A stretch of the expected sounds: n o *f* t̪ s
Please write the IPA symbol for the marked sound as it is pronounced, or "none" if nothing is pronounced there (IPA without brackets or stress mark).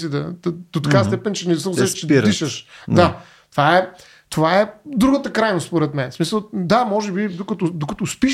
s